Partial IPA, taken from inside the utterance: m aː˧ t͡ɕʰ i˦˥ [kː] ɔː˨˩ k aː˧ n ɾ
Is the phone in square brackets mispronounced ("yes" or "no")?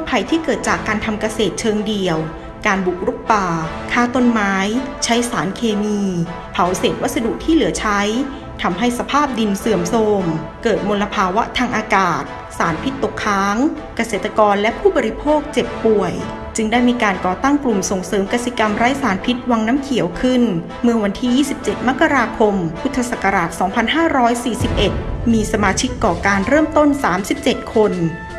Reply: no